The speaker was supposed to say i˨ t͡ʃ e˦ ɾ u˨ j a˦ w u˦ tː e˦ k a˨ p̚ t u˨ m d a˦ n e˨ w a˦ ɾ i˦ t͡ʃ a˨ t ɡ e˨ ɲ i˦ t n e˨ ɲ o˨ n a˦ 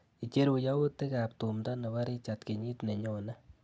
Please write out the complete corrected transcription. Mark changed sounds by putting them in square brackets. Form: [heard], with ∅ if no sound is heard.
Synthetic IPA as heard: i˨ t͡ʃ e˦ ɾ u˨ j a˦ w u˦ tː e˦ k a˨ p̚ t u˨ m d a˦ n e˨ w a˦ ɾ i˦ t͡ʃ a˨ t [k] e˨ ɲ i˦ t n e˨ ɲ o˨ n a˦